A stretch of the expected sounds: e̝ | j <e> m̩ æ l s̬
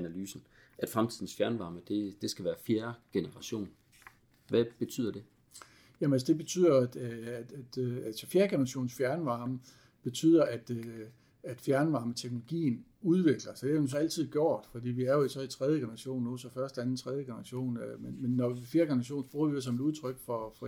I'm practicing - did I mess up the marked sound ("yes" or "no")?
yes